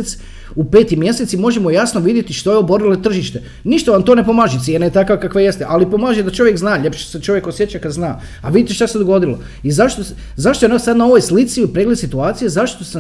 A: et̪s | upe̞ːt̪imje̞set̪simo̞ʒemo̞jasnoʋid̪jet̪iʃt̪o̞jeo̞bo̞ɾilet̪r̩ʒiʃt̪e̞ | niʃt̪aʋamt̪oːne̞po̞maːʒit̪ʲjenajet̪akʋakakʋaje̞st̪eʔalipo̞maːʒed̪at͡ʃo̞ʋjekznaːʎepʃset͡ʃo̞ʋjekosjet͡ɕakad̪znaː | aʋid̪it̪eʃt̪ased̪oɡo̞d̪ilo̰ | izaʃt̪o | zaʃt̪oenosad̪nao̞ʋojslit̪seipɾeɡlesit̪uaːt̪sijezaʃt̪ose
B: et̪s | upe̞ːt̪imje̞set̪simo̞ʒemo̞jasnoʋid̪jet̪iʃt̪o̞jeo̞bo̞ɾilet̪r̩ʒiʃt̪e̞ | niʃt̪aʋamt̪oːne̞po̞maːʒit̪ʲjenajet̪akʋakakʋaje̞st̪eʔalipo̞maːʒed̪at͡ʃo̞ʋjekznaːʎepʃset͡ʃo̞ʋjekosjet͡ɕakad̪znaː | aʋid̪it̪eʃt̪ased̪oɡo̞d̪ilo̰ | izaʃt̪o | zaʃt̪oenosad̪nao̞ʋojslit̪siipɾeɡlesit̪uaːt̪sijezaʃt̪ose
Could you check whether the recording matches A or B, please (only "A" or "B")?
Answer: B